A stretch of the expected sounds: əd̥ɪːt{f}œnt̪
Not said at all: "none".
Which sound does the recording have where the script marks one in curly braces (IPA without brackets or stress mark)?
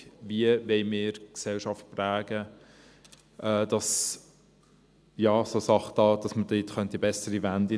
χ